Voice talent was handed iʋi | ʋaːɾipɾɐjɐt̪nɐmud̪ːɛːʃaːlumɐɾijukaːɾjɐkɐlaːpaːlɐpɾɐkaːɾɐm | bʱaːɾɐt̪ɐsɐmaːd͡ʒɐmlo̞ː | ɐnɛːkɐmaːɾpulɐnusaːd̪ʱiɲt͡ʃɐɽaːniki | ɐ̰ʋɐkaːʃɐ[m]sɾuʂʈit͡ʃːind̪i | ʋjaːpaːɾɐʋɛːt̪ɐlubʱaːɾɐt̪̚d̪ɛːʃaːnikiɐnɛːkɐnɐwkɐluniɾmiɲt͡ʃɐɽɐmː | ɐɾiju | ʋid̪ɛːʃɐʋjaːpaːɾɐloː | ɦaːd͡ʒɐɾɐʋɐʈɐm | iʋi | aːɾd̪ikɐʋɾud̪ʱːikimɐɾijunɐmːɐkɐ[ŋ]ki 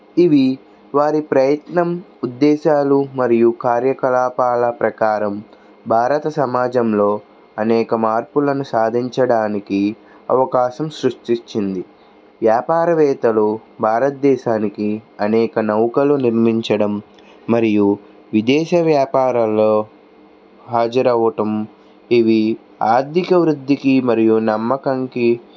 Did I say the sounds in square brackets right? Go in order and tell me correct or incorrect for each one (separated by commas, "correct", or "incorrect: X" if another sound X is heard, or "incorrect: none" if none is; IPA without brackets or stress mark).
correct, correct